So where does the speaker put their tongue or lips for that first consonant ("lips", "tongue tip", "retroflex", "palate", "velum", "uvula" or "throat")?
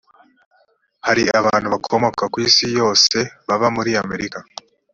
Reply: throat